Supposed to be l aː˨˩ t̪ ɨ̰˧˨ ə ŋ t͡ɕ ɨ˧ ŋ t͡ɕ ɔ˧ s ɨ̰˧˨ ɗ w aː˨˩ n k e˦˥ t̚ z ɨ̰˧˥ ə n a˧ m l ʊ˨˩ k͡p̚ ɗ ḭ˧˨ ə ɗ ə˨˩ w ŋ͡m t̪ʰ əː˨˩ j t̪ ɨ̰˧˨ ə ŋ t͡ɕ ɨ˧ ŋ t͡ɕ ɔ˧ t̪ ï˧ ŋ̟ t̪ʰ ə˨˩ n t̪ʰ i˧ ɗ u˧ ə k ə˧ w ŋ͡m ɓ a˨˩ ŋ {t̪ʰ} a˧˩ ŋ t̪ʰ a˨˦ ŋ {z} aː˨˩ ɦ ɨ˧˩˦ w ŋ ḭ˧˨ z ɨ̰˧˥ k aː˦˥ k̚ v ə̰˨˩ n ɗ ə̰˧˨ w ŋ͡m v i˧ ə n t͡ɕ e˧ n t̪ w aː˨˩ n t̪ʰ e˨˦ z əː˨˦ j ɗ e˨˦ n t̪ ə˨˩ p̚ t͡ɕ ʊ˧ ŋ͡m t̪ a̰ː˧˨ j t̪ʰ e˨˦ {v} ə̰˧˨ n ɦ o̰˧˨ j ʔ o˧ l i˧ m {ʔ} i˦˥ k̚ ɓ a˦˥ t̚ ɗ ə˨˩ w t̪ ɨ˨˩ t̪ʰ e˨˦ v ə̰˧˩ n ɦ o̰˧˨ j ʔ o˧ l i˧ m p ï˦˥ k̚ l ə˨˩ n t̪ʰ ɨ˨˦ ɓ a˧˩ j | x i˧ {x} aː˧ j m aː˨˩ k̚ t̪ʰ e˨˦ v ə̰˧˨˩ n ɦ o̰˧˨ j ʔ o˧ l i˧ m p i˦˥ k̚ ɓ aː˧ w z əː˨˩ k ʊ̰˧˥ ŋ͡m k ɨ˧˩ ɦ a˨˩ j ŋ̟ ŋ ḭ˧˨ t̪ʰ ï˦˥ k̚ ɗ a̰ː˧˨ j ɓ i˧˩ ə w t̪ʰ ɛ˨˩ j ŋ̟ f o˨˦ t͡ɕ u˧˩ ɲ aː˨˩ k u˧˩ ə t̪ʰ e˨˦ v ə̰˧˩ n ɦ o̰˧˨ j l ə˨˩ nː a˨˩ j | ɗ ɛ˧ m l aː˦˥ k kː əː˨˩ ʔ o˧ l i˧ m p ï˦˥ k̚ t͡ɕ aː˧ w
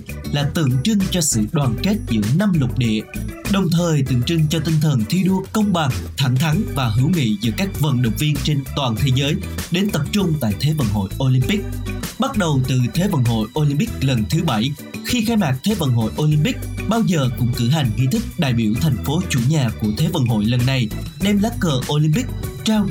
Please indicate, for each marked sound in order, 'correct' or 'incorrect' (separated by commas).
correct, incorrect, correct, incorrect, correct